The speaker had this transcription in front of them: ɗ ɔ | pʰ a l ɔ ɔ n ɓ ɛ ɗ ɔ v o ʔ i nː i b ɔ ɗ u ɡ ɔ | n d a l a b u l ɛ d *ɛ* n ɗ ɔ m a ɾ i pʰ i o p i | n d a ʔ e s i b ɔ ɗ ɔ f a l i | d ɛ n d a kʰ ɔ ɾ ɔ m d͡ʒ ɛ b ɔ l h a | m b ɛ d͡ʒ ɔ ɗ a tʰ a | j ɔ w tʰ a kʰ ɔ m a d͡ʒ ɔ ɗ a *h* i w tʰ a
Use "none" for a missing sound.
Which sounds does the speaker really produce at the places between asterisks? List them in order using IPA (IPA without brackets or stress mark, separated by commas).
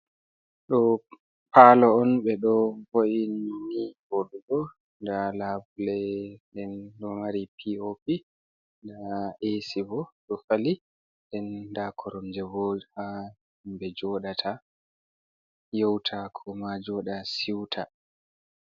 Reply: ɛ, s